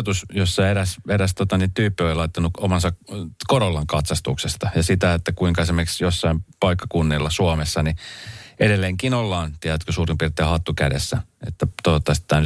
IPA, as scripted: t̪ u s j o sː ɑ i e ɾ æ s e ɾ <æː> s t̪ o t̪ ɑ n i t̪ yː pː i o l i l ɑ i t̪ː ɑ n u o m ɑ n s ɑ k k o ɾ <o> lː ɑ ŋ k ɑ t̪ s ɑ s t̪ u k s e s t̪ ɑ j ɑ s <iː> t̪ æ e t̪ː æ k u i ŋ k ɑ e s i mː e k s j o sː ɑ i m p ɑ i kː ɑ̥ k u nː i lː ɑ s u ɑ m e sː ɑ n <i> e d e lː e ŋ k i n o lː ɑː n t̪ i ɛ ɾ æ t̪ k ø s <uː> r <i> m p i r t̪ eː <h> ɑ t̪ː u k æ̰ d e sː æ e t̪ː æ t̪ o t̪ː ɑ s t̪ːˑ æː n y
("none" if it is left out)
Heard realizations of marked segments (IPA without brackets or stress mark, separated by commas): æ, o, i, i, uː, i, h